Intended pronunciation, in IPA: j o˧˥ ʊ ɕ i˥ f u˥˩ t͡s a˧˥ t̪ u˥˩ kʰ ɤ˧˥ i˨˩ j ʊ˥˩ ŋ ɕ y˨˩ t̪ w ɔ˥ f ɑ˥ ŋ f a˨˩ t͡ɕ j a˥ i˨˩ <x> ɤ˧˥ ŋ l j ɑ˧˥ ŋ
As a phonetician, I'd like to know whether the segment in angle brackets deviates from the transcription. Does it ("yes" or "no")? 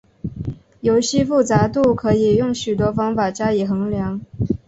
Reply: no